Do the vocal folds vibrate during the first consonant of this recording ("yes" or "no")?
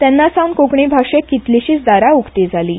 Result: no